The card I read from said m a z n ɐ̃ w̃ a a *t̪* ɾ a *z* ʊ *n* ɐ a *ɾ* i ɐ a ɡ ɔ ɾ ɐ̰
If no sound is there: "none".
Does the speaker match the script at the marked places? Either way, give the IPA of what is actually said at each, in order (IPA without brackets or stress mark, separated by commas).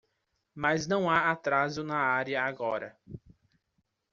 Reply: t̪, z, n, ɾ